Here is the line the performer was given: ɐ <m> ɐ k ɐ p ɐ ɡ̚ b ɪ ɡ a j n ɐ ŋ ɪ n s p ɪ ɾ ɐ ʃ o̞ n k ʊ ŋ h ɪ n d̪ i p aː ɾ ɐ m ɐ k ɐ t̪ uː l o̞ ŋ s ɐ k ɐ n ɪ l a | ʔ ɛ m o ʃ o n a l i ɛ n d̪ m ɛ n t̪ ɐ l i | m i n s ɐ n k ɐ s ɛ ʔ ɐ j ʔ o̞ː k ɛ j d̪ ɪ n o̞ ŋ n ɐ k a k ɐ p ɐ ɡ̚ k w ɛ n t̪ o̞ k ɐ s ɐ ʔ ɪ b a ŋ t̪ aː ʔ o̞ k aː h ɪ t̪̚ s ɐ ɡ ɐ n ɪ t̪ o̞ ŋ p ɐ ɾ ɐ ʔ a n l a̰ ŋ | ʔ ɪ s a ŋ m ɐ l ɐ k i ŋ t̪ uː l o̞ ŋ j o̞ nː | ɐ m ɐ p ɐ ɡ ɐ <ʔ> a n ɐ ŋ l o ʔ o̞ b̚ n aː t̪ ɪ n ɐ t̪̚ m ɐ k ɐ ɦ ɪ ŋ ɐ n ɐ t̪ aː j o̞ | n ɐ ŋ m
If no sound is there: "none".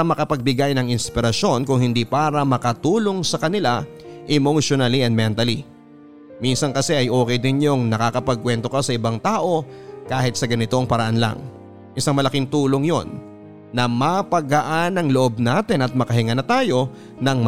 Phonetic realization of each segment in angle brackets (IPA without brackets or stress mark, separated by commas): m, ʔ